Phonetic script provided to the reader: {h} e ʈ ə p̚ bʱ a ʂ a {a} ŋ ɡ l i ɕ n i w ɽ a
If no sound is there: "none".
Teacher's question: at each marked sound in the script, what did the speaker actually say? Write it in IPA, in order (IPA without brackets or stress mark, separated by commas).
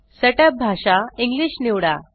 s, i